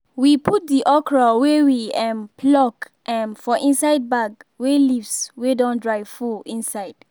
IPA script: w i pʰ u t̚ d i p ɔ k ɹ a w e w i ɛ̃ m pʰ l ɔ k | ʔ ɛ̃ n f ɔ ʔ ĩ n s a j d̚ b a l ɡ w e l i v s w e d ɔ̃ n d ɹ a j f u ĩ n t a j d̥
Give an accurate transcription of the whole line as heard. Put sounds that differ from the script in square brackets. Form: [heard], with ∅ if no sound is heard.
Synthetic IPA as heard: w i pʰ u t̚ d i [ʔ] ɔ k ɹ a w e w i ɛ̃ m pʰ l ɔ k | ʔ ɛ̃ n f ɔ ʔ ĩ n s a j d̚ b a [∅] ɡ w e l i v s w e d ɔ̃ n d ɹ a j f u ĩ n [s] a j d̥

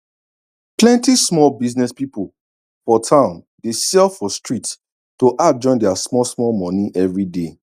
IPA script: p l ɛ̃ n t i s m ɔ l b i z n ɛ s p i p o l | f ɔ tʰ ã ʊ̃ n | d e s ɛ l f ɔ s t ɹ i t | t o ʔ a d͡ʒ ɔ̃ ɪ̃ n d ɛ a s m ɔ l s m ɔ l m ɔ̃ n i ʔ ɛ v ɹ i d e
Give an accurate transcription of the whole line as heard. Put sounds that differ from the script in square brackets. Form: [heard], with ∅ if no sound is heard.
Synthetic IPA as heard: p l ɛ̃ n t i s m ɔ l b i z n ɛ s p i p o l | f ɔ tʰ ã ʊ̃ n | d e s ɛ l f ɔ s t ɹ i t | t o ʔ a d͡ʒ ɔ̃ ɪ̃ n d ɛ a s m ɔ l s m ɔ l m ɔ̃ n i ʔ ɛ v ɹ i d e

